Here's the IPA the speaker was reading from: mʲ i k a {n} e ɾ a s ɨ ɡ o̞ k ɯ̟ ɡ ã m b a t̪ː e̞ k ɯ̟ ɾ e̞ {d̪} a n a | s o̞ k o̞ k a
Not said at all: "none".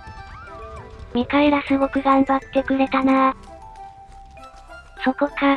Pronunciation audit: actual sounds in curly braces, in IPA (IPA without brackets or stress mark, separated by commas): none, t̪